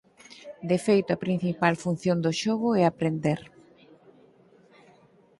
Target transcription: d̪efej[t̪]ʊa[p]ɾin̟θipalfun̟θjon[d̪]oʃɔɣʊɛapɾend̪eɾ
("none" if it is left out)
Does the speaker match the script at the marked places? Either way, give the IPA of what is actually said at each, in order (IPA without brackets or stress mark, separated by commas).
t̪, p, d̪